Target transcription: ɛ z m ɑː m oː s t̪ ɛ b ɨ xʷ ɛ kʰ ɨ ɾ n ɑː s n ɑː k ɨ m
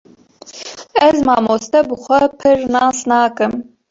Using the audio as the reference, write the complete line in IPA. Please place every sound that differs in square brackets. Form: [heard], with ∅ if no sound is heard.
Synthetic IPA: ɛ z m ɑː m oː s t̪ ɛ b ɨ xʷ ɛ [pʰ] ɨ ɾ n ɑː s n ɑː k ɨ m